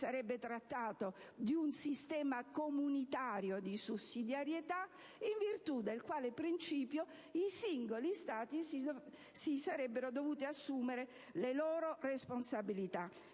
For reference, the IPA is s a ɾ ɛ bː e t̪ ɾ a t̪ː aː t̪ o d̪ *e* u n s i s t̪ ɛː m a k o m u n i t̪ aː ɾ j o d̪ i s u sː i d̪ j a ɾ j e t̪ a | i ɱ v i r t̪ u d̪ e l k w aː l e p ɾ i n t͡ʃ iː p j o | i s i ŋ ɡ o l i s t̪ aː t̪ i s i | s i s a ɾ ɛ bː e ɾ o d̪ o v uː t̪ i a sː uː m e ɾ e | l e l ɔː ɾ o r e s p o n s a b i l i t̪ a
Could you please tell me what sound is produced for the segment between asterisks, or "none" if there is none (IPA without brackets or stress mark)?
i